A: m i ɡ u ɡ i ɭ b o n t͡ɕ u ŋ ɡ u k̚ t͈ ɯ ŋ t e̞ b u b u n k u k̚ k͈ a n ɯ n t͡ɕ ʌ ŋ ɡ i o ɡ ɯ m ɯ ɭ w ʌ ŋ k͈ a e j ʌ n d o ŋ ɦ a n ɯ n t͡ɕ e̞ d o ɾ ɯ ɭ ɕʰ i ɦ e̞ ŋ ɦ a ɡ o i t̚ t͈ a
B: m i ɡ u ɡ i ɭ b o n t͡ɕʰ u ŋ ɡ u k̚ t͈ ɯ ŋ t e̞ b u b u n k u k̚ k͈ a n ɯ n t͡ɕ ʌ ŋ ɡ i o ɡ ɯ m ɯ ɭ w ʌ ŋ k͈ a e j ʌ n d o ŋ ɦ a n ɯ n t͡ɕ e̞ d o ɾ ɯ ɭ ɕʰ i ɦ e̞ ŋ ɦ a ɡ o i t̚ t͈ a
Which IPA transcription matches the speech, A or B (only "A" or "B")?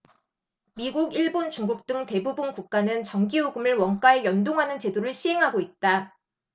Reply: A